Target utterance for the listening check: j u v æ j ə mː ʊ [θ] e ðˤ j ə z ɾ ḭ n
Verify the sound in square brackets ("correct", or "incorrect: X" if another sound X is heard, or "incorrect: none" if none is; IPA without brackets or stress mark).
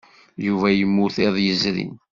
correct